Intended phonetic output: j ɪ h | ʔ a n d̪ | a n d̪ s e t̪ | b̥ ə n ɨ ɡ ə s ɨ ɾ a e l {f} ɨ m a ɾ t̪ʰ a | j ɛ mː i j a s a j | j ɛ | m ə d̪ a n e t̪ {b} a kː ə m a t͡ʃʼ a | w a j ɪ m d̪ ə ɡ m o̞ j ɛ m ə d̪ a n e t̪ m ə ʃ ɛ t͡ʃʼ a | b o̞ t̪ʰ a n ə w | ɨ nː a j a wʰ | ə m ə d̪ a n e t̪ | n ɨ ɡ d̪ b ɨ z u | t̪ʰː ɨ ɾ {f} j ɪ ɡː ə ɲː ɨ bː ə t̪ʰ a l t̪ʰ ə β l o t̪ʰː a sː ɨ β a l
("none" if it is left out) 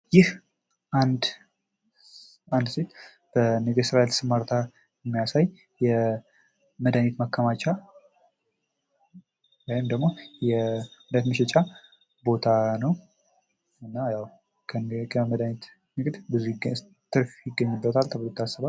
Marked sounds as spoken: s, m, f

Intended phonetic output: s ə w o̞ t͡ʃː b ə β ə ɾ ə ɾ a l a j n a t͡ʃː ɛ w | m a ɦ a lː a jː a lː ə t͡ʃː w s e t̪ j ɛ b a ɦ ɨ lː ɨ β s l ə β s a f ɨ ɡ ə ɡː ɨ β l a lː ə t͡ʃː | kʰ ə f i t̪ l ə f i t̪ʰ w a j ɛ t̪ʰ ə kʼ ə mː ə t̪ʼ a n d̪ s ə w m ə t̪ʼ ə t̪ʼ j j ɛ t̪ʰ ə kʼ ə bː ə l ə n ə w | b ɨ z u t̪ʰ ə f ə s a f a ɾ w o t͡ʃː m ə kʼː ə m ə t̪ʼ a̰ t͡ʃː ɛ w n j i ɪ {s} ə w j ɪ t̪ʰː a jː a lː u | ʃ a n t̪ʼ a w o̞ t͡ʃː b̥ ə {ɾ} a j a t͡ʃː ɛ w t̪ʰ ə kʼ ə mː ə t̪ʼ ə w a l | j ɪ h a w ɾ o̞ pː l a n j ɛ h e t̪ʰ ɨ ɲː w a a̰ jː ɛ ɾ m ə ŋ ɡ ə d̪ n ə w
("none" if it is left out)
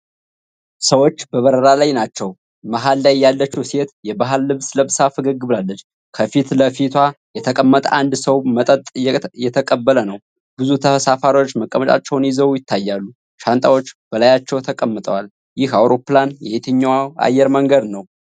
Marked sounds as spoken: z, l

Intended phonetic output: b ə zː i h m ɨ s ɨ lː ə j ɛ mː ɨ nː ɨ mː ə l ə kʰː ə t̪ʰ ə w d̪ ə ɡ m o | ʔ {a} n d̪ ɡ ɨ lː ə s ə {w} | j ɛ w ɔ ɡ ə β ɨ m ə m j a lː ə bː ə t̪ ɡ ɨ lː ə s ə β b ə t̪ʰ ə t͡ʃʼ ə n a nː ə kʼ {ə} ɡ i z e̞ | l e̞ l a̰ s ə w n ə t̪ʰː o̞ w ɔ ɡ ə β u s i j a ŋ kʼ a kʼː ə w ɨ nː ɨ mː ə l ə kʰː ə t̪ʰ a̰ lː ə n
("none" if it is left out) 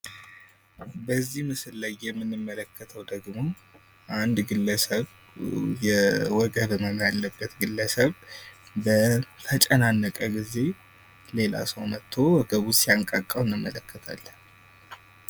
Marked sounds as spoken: a, β, ə

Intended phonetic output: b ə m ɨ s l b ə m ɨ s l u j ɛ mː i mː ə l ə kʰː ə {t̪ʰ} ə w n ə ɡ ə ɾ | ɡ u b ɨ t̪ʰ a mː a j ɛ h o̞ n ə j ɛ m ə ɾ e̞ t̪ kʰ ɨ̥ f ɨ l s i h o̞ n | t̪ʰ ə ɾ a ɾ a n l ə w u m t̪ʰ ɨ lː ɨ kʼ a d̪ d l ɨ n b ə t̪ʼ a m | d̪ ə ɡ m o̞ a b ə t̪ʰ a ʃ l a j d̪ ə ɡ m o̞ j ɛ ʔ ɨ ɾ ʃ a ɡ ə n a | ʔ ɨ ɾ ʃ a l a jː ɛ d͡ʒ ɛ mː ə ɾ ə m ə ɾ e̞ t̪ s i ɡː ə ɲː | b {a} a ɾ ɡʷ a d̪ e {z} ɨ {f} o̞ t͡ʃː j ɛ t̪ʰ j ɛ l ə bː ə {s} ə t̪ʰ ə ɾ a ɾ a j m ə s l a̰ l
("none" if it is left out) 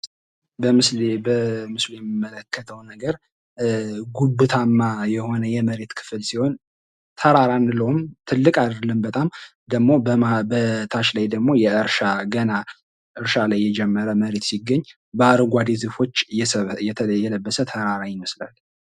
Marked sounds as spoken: t̪ʰ, ə, z, f, s

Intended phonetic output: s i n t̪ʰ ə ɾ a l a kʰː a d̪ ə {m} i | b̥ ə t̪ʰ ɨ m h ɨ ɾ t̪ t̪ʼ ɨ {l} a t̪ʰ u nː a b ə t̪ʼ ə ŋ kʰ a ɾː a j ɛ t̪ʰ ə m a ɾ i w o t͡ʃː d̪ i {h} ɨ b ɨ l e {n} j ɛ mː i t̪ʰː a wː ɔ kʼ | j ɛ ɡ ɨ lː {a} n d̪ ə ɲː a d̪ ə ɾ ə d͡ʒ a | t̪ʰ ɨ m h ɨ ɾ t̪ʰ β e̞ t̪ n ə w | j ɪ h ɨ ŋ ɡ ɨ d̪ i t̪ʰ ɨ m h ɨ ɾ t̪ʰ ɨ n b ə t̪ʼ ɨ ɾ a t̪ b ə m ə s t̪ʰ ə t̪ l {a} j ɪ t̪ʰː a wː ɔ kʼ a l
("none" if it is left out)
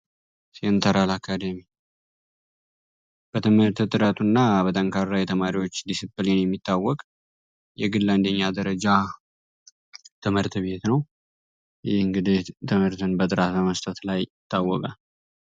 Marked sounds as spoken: m, ɾ, s, n, a, a

